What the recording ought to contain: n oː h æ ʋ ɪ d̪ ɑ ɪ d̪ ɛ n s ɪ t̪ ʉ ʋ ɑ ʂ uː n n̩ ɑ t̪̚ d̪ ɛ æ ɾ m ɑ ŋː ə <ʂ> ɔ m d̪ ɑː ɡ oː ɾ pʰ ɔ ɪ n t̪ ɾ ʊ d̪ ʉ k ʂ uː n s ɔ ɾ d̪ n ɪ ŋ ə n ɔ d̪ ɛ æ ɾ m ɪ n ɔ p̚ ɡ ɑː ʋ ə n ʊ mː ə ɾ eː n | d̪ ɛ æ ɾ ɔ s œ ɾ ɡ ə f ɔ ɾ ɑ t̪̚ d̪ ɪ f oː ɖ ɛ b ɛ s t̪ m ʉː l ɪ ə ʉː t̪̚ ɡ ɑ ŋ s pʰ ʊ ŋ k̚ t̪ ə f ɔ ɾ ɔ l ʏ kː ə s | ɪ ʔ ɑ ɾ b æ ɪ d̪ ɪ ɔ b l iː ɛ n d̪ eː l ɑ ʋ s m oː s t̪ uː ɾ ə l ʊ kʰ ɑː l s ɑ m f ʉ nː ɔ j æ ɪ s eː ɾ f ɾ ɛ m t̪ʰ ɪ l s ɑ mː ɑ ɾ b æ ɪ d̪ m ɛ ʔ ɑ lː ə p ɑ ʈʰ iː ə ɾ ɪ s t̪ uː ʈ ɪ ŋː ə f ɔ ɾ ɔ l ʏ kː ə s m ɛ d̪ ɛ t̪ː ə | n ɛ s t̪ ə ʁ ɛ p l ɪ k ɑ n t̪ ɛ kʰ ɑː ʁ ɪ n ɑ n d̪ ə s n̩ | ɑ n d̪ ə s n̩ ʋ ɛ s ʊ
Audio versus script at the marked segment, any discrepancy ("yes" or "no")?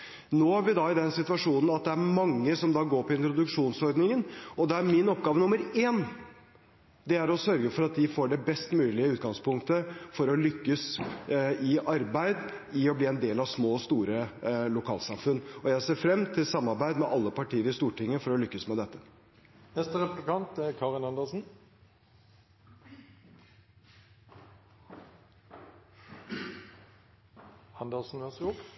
yes